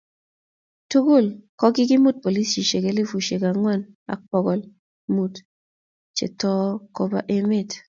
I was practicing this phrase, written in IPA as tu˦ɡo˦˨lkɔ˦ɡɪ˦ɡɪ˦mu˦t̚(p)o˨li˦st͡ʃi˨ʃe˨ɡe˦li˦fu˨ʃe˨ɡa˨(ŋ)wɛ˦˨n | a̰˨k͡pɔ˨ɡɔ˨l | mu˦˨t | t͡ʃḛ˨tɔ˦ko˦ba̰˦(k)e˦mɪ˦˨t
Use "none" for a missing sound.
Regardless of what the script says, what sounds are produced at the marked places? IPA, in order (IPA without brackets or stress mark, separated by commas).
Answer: p, ŋ, ʔ